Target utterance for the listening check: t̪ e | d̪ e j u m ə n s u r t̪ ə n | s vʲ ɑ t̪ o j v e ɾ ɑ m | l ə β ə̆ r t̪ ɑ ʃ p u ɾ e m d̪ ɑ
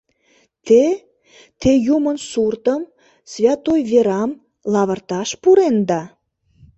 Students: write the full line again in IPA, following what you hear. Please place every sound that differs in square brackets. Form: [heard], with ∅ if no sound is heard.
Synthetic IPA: t̪ e | [t̪] e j u m ə n s u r t̪ ə [m] | s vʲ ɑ t̪ o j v e ɾ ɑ m | l [ɑ] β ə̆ r t̪ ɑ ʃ p u ɾ e [n] d̪ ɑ